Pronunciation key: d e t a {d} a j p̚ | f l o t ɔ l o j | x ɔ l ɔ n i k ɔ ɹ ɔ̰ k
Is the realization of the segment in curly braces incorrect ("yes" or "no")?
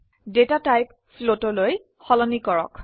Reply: yes